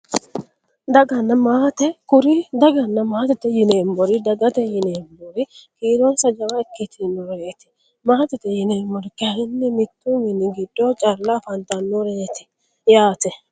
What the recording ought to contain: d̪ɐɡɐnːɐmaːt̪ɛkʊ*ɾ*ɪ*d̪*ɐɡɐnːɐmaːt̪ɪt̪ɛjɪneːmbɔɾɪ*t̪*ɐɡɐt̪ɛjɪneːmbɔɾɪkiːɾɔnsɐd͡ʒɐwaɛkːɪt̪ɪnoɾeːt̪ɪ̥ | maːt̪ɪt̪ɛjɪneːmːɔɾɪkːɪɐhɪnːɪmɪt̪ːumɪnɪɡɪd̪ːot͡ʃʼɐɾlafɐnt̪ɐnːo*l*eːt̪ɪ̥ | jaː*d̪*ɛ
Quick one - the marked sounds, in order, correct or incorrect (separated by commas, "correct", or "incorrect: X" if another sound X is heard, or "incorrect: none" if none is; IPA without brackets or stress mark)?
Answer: correct, correct, incorrect: d̪, incorrect: ɾ, incorrect: t̪